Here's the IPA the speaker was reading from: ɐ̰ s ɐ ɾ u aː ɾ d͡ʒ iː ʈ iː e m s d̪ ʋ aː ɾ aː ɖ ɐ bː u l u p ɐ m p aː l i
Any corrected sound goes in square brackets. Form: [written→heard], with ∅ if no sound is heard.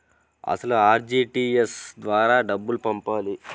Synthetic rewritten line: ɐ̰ s ɐ [ɾ→l] u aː ɾ d͡ʒ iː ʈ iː e [m→∅] s d̪ ʋ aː ɾ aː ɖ ɐ bː u l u p ɐ m p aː l i